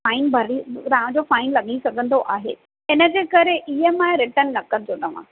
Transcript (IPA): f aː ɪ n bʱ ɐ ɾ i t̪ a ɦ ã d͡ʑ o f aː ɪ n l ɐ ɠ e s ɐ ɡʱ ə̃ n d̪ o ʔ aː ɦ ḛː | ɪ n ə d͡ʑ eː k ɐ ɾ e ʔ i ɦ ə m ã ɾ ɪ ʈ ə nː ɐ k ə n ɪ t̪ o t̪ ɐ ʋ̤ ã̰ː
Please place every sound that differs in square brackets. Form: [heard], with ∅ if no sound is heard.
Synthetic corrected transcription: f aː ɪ n bʱ ɐ ɾ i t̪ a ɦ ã d͡ʑ o f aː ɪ n l ɐ ɠ [i] s ɐ ɡʱ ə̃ n d̪ o ʔ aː ɦ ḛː | ɪ n ə d͡ʑ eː k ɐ ɾ e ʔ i ɦ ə m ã ɾ ɪ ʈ ə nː ɐ k ə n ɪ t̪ o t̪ ɐ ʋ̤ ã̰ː